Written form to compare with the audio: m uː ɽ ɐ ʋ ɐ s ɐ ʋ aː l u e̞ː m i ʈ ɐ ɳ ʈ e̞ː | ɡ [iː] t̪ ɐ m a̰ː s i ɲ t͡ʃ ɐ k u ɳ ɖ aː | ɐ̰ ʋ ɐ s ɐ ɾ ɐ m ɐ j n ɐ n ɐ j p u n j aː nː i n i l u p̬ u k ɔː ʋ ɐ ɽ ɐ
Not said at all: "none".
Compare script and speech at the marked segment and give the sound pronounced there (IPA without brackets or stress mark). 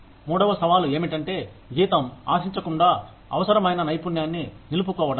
iː